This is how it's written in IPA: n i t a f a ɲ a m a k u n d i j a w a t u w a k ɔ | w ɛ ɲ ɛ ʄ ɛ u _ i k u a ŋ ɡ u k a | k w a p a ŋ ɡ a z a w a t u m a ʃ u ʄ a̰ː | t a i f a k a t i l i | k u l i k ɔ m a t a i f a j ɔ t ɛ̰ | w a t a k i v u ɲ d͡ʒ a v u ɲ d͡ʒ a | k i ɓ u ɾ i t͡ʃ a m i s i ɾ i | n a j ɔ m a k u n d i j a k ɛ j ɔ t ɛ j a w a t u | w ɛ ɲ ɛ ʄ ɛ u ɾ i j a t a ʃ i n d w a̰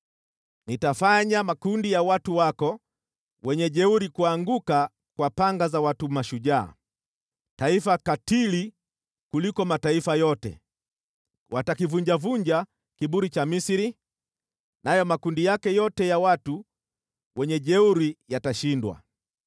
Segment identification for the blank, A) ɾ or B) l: A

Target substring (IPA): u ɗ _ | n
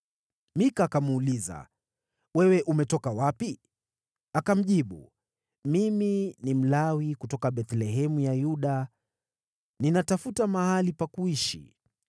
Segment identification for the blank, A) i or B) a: B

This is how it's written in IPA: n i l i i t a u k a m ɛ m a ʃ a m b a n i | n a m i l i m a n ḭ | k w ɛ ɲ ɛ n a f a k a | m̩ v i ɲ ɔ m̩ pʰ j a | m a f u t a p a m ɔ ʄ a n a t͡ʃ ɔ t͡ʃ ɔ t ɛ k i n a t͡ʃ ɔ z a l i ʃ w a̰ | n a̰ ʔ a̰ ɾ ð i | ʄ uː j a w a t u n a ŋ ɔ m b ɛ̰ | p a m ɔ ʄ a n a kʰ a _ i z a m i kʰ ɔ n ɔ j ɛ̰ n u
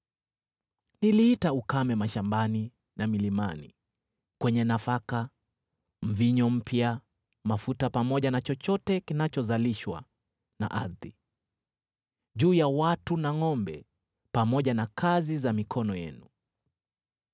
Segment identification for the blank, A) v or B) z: B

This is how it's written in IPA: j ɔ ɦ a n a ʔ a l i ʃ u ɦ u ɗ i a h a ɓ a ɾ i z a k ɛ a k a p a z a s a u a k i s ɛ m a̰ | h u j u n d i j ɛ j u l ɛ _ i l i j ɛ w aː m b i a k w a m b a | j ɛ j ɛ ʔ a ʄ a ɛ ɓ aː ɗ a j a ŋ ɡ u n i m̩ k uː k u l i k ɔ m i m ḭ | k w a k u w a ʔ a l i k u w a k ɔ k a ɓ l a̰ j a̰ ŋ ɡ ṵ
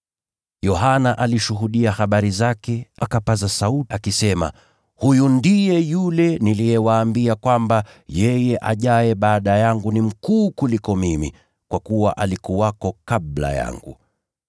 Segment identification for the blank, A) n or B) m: A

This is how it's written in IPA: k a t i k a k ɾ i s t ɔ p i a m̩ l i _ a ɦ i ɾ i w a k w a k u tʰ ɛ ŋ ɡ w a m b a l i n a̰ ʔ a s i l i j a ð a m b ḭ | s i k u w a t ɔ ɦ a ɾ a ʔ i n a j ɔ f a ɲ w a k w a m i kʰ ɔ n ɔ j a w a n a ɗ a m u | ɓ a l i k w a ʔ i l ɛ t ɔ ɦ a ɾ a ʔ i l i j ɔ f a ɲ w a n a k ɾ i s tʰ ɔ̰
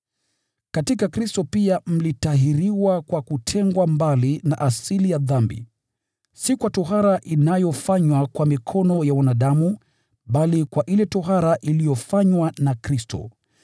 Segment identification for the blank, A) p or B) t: B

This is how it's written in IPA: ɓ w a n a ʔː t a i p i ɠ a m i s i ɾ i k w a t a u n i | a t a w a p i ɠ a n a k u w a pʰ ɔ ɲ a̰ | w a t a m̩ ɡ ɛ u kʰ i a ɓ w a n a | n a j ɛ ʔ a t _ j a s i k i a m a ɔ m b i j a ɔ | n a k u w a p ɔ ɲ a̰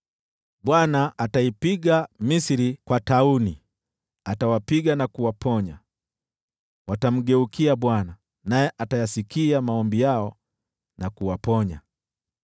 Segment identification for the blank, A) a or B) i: A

